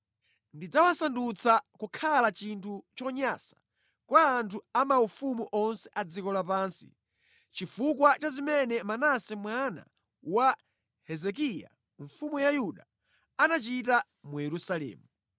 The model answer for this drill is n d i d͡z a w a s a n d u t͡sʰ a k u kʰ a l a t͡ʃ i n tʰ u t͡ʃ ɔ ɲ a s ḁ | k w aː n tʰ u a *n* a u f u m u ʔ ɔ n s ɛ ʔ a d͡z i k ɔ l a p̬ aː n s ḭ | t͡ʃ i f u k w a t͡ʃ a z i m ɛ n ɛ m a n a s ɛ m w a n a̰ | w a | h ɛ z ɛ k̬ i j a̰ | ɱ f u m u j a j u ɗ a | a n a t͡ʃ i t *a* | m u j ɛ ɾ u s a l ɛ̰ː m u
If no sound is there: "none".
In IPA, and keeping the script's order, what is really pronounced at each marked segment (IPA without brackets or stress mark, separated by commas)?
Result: m, a